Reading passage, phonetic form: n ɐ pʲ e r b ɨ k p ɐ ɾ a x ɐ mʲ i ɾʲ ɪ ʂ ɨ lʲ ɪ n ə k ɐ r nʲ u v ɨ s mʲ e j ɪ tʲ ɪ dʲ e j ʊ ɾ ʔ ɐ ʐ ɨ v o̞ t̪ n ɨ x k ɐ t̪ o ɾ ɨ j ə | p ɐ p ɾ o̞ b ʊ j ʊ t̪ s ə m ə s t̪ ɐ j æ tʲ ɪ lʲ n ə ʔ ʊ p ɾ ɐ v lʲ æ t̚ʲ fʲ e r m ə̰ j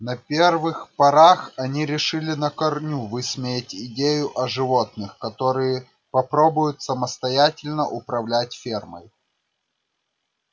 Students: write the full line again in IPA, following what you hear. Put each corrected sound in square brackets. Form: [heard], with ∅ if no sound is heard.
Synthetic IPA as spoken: n ɐ pʲ e r [v] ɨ [x] p ɐ ɾ a x ɐ [nʲ] i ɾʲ ɪ ʂ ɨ lʲ ɪ n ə k ɐ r nʲ u v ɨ s mʲ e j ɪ tʲ ɪ dʲ e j ʊ [∅] ʔ ɐ ʐ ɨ v o̞ t̪ n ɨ x k ɐ t̪ o ɾ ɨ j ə | p ɐ p ɾ o̞ b ʊ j ʊ t̪ s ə m ə s t̪ ɐ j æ tʲ ɪ lʲ n ə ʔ ʊ p ɾ ɐ v lʲ æ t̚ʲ fʲ e r m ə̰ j

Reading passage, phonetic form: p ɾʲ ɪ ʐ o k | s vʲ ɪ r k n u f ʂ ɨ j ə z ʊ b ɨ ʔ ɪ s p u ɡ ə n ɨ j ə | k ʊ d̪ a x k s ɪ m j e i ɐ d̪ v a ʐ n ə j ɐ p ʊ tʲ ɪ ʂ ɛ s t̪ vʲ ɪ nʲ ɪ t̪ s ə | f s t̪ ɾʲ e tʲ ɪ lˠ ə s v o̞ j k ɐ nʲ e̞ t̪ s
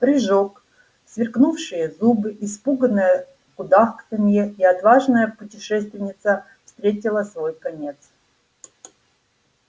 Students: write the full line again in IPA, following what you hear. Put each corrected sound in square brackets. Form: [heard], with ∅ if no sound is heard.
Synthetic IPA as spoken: p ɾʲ ɪ ʐ o k | s vʲ ɪ r k n u f ʂ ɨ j ə z [u] b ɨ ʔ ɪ s p u ɡ ə n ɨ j ə | k ʊ d̪ a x k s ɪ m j e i ɐ [t̪] v a ʐ n ə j [ə] p ʊ tʲ ɪ ʂ ɛ s t̪ vʲ ɪ nʲ ɪ t̪ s ə | f s t̪ ɾʲ e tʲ ɪ lˠ ə s v o̞ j k ɐ nʲ e̞ t̪ s

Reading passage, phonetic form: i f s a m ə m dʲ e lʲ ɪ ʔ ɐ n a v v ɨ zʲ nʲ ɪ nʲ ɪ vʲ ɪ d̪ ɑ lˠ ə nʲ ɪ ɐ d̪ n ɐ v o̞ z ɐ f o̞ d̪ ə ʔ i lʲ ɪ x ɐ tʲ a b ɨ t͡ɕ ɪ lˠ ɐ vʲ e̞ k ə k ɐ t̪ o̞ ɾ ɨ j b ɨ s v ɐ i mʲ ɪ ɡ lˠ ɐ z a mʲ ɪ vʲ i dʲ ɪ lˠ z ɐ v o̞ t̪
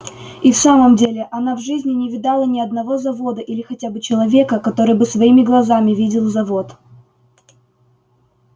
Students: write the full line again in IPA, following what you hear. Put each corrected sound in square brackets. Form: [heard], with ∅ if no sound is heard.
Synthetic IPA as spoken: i f s a m ə m dʲ e lʲ ɪ ʔ ɐ n a v [ʐ] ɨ zʲ nʲ ɪ nʲ ɪ vʲ ɪ d̪ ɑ lˠ ə nʲ ɪ ɐ d̪ n ɐ v o̞ z ɐ [v] o̞ d̪ ə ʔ i lʲ ɪ x ɐ tʲ a b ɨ t͡ɕ ɪ lˠ ɐ vʲ e̞ k ə k ɐ t̪ o̞ ɾ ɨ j b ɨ s v ɐ i mʲ ɪ ɡ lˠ ɐ z a mʲ ɪ vʲ i dʲ ɪ lˠ z ɐ v o̞ t̪

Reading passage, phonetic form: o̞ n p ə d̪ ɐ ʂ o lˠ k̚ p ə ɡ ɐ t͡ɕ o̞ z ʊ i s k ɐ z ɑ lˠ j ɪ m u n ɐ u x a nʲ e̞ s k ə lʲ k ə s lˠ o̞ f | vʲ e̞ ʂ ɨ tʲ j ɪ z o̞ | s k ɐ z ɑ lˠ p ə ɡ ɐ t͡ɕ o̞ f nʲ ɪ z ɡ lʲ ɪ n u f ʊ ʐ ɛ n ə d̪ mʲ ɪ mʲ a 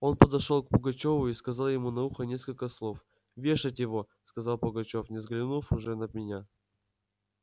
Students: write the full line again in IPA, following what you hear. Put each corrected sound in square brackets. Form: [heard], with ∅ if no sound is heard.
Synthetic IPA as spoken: o̞ n p ə d̪ ɐ ʂ o lˠ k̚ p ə ɡ ɐ t͡ɕ o̞ [v] ʊ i s k ɐ z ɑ lˠ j ɪ m u n ɐ u x [ə] nʲ e̞ s k ə lʲ k ə s lˠ o̞ f | vʲ e̞ ʂ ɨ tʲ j ɪ [v] o̞ | s k ɐ z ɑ lˠ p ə ɡ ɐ t͡ɕ o̞ f nʲ ɪ z ɡ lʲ ɪ n u f ʊ ʐ ɛ n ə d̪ mʲ ɪ [nʲ] a

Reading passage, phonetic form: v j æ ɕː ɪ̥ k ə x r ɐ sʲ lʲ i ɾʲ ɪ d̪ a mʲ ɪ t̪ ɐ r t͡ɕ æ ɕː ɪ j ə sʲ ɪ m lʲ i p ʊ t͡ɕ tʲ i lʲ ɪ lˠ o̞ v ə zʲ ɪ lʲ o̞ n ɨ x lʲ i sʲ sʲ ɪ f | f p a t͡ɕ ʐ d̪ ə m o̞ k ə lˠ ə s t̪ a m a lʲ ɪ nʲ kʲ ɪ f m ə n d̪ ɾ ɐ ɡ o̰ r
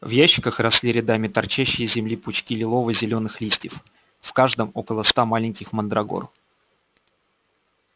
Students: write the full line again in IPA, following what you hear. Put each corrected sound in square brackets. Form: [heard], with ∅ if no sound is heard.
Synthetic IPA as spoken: v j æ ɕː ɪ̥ k ə x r ɐ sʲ lʲ i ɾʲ ɪ d̪ a mʲ ɪ t̪ ɐ r t͡ɕ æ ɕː ɪ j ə [zʲ] ɪ m lʲ i p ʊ t͡ɕ [kʲ] i lʲ ɪ lˠ o̞ v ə zʲ ɪ lʲ o̞ n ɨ x lʲ i sʲ [tʲ] ɪ f | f [k] a [∅] ʐ d̪ ə m o̞ k ə lˠ ə s t̪ a m a lʲ ɪ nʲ kʲ ɪ [x] m ə n d̪ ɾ ɐ ɡ o̰ r

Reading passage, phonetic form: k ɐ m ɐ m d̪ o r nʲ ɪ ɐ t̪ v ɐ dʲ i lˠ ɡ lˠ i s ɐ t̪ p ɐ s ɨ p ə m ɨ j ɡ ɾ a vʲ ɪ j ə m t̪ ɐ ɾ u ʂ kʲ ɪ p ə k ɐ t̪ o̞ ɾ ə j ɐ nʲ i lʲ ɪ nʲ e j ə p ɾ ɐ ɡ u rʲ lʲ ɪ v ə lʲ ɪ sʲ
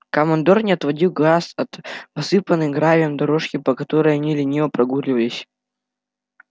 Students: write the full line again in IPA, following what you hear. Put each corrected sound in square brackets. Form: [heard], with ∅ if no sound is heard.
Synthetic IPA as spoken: k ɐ m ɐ [n] d̪ o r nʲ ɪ ɐ t̪ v ɐ dʲ i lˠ ɡ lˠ [a] s ɐ t̪ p ɐ s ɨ p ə [n] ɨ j ɡ ɾ a vʲ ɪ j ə m [d̪] ɐ ɾ [o] ʂ kʲ ɪ p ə k ɐ t̪ o̞ ɾ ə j ɐ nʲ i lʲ ɪ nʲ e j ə p ɾ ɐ ɡ u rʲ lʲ ɪ v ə lʲ ɪ sʲ

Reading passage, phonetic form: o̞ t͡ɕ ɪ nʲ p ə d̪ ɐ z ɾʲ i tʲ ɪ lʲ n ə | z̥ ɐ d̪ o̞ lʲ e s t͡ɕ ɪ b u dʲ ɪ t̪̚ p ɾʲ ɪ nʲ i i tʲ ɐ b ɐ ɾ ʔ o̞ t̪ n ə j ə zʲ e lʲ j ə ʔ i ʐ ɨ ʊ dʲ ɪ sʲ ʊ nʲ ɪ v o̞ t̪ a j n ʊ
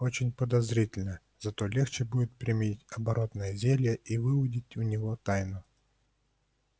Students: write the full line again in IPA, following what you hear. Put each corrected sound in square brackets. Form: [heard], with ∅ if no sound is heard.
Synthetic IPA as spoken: o̞ t͡ɕ ɪ nʲ p ə d̪ ɐ z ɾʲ i tʲ ɪ lʲ n ə | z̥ ɐ [t̪] o̞ lʲ e [x] t͡ɕ ɪ b u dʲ ɪ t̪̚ p ɾʲ ɪ [mʲ] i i tʲ ɐ b ɐ ɾ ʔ o̞ t̪ n ə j ə zʲ e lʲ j ə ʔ i [v] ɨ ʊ dʲ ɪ [tʲ] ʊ nʲ ɪ v o̞ t̪ a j n ʊ

